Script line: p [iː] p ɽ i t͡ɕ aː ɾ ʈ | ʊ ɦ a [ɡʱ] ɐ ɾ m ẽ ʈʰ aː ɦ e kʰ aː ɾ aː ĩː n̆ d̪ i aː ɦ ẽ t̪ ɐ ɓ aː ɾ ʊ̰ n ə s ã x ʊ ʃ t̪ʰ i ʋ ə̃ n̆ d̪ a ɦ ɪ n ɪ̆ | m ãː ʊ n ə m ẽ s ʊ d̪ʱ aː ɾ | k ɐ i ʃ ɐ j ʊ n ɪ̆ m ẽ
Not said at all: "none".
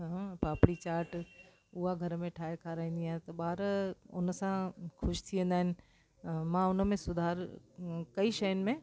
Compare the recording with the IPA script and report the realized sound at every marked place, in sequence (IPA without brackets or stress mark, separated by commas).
aː, ɡʱ